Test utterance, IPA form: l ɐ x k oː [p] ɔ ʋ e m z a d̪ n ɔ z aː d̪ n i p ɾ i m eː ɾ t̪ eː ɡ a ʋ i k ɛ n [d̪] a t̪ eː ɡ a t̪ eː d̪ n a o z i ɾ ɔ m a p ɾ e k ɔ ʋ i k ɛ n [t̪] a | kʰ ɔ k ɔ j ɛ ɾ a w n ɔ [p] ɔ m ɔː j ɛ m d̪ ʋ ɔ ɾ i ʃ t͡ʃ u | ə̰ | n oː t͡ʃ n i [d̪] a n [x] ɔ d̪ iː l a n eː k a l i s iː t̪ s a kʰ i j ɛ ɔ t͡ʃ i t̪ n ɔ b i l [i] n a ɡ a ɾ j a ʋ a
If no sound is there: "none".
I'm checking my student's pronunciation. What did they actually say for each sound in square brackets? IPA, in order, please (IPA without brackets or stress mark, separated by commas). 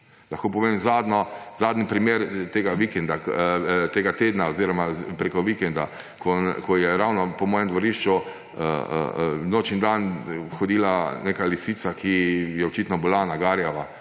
p, d̪, d̪, p, d̪, x, a